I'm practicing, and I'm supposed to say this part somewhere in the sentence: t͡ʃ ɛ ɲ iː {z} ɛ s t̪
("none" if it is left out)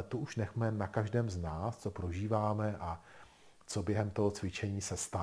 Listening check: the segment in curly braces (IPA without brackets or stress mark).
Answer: s